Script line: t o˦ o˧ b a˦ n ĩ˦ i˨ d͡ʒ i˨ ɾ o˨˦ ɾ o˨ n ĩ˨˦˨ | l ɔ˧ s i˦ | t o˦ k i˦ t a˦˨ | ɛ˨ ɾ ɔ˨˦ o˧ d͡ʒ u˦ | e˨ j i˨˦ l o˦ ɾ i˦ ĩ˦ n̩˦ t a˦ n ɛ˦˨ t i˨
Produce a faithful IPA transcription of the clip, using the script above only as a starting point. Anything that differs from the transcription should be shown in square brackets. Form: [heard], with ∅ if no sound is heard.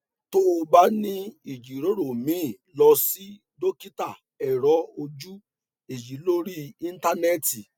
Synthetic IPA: t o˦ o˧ b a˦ n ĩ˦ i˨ d͡ʒ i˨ ɾ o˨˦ ɾ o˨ [m] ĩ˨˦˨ | l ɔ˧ s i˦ | [d] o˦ k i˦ t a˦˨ | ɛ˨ ɾ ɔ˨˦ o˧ d͡ʒ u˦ | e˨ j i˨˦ l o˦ ɾ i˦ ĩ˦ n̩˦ t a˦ n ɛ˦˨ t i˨